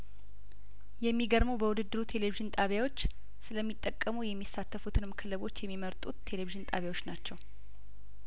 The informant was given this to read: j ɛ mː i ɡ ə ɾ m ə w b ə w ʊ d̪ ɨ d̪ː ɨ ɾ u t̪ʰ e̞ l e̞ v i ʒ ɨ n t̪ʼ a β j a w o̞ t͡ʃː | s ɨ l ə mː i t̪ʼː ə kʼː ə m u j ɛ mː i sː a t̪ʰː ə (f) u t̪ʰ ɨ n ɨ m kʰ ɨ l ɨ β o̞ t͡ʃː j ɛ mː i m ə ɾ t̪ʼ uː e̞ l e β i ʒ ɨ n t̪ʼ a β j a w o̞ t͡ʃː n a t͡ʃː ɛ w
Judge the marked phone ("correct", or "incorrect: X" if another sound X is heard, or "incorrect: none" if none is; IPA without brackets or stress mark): correct